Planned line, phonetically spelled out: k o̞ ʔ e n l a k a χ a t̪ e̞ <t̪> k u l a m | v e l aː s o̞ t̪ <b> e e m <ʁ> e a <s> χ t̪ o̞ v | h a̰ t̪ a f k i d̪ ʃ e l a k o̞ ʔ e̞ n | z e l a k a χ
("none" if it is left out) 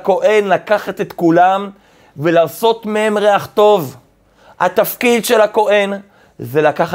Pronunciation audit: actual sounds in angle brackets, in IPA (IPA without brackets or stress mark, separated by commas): t̪, m, ʁ, none